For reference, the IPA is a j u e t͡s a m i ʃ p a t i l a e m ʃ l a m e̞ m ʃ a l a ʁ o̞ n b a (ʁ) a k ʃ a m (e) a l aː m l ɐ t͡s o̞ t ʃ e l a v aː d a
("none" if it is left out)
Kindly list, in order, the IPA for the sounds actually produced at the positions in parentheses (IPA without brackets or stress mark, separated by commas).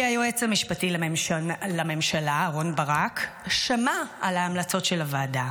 ʁ, a